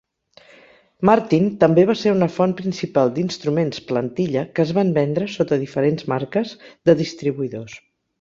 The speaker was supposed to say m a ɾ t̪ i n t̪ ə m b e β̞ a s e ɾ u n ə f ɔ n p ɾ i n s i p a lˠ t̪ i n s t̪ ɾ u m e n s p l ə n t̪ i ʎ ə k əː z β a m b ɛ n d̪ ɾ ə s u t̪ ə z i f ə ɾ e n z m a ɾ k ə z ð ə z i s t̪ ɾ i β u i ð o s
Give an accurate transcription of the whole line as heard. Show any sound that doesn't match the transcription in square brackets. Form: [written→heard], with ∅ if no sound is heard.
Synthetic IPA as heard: m a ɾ t̪ i n t̪ ə m b e β̞ a s e ɾ u n ə f ɔ n p ɾ i n s i p a lˠ [t̪→d̪] i n s t̪ ɾ u m e n s p l ə n t̪ i ʎ ə k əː z β a m b ɛ n d̪ ɾ ə s [u→o] t̪ ə [z→ð] i f ə ɾ e n z m a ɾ k ə z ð ə [z→ð] i s t̪ ɾ i β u i ð o s